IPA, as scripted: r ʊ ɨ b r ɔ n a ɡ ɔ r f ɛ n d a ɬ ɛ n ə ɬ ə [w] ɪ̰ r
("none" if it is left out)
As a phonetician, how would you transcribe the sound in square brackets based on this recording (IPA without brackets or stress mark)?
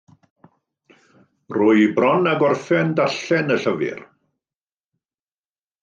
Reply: v